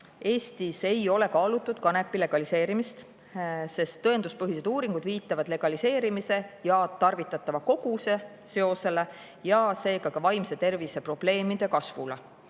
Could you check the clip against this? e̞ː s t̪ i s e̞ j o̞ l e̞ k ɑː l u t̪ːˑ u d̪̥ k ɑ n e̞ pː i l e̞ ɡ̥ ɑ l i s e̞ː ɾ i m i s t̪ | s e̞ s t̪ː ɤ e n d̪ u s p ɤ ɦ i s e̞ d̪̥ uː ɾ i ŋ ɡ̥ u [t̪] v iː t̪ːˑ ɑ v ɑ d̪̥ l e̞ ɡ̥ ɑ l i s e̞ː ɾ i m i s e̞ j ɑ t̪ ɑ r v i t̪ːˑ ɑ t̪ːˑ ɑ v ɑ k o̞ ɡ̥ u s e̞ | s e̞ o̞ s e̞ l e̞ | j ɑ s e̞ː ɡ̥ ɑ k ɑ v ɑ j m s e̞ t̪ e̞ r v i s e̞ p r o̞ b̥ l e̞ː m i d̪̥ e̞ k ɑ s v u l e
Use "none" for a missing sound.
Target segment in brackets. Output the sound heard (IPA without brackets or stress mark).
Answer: d̪